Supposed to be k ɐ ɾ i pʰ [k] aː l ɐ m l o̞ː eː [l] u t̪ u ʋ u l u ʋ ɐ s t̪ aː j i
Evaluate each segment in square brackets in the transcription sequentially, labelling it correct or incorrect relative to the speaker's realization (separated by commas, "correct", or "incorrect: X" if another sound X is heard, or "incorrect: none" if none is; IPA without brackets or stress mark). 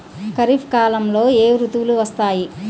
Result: correct, incorrect: ɾ